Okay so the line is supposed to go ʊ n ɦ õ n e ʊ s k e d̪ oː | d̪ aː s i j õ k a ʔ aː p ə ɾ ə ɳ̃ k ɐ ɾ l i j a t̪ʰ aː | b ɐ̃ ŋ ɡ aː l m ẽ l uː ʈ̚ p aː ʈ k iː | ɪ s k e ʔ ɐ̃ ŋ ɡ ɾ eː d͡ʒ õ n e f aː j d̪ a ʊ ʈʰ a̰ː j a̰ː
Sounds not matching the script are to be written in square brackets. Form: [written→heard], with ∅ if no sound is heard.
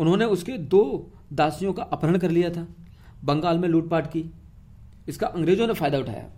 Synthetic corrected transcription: ʊ n ɦ õ n e ʊ s k e d̪ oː | d̪ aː s i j õ k a ʔ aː p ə ɾ ə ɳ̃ k ɐ ɾ l i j a t̪ʰ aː | b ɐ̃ ŋ ɡ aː l m ẽ l uː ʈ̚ p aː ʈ k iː | ɪ s k [e→a] ʔ ɐ̃ ŋ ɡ ɾ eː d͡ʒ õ n e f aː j d̪ a ʊ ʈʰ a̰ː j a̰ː